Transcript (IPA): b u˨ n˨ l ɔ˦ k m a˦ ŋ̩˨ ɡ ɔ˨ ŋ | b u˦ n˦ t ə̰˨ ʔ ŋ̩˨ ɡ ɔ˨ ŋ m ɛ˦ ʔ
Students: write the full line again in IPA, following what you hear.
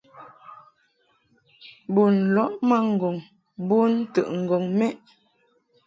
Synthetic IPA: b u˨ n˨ l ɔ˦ ʔ m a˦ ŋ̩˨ ɡ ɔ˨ ŋ | b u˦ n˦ t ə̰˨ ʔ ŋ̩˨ ɡ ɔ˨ ŋ m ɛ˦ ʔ